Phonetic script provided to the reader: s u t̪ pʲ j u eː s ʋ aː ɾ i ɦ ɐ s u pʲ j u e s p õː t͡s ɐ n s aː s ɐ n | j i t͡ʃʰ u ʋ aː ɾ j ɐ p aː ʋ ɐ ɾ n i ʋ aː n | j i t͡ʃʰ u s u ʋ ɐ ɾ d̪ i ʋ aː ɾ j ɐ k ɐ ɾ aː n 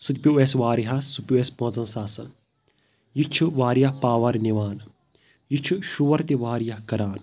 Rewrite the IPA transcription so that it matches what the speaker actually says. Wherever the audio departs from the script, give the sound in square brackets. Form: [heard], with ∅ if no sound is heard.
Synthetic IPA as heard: s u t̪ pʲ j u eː s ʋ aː ɾ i ɦ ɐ s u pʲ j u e s p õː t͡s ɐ n s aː s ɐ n | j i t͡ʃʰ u ʋ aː ɾ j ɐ p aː ʋ ɐ ɾ n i ʋ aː n | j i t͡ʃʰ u [ʃ] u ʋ ɐ ɾ [t̪] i ʋ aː ɾ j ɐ k ɐ ɾ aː n